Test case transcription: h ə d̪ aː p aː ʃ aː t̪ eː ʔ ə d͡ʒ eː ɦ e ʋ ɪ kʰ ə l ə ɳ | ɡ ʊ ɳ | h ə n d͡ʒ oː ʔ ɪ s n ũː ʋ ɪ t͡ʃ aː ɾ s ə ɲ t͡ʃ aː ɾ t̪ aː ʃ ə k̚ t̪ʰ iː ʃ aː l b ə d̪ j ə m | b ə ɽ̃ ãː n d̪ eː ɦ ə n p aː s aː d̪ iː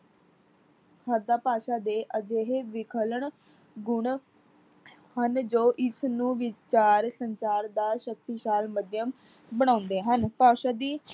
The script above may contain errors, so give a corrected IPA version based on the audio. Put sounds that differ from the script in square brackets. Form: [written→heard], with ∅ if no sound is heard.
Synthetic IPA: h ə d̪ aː p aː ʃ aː [t̪→d̪] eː ʔ ə d͡ʒ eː ɦ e ʋ ɪ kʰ ə l ə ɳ | ɡ ʊ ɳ | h ə n d͡ʒ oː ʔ ɪ s n ũː ʋ ɪ t͡ʃ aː ɾ s ə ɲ t͡ʃ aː ɾ [t̪→d̪] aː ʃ ə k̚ [t̪ʰ→t̪] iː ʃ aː l [b→m] ə d̪ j ə m | b ə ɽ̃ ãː n d̪ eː ɦ ə n p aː [s→ʃ] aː d̪ iː